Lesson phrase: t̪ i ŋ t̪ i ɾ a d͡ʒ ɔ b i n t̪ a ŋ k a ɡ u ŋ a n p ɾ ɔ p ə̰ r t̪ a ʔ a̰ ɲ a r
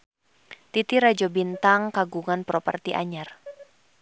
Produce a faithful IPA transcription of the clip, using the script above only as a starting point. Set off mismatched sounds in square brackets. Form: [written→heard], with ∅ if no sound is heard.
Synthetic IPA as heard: t̪ i [ŋ→∅] t̪ i ɾ a d͡ʒ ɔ b i n t̪ a ŋ k a ɡ u ŋ a n p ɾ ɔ p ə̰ r t̪ [a→i] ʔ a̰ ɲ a r